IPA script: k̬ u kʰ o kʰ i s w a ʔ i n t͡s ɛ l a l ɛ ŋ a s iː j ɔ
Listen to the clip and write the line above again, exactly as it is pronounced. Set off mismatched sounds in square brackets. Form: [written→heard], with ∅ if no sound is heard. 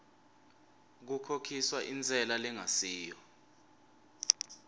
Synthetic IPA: k̬ u kʰ o kʰ i s w a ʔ i n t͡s ɛ l a l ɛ ŋ a s iː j ɔ